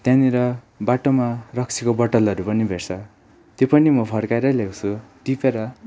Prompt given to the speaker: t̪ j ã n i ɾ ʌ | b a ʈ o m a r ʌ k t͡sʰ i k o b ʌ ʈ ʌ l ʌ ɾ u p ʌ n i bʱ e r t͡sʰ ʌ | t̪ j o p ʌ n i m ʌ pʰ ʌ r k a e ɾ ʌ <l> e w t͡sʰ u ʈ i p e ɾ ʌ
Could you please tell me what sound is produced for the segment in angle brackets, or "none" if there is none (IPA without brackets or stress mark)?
l